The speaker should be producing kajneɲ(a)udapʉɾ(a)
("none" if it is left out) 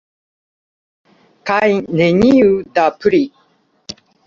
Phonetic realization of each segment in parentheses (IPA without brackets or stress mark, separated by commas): i, i